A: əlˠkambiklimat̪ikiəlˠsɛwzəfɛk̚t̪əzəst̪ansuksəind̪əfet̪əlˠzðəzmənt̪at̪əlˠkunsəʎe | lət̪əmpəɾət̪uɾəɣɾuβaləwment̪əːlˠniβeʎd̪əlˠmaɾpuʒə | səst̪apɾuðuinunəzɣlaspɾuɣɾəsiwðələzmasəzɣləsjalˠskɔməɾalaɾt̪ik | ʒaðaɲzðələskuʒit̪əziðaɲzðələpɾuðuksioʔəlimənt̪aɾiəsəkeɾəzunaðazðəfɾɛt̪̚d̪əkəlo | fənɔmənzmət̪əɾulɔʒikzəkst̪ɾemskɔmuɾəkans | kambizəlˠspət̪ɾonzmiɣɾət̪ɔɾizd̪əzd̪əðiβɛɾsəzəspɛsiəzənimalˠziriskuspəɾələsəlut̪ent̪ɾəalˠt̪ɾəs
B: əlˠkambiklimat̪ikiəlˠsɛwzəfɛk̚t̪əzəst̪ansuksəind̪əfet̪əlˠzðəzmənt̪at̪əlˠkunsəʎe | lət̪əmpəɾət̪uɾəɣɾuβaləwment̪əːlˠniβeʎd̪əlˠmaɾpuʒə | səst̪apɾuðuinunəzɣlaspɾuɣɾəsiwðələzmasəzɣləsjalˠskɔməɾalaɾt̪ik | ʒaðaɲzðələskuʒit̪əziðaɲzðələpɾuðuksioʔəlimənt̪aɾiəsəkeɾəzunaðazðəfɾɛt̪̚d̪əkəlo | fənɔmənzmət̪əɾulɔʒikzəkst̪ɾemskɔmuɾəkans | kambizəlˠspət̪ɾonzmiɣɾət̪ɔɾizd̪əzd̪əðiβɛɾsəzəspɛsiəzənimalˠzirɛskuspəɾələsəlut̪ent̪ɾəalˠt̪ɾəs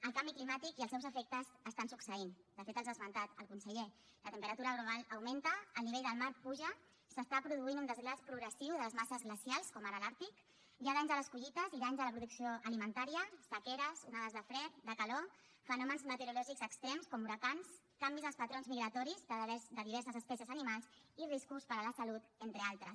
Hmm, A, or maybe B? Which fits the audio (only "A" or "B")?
A